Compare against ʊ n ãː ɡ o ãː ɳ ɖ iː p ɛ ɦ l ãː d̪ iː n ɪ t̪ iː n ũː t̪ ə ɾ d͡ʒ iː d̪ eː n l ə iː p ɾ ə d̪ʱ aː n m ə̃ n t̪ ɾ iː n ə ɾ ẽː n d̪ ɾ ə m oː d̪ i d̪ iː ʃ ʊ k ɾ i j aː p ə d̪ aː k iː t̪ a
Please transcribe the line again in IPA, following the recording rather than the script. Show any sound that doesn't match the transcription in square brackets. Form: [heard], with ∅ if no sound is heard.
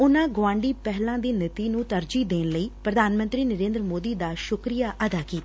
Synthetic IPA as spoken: ʊ n ãː ɡ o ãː ɳ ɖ iː p ɛ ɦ l ãː d̪ iː n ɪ t̪ iː n ũː t̪ ə ɾ d͡ʒ iː d̪ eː n l ə iː p ɾ ə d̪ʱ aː n m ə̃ n t̪ ɾ iː n ə ɾ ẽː n d̪ ɾ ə m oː d̪ [iː] d̪ [aː] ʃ ʊ k ɾ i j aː [ʔ] ə d̪ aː k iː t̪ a